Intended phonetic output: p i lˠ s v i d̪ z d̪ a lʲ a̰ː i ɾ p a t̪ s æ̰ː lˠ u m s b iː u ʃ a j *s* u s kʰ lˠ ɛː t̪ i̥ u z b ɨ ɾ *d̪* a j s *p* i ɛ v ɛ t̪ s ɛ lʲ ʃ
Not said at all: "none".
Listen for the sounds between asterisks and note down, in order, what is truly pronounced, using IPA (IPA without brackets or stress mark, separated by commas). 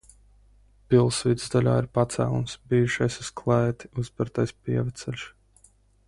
s, t̪, p